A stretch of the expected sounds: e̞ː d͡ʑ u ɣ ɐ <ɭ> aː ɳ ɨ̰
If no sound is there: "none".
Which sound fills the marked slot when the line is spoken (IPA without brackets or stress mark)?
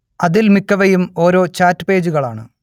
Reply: ɭ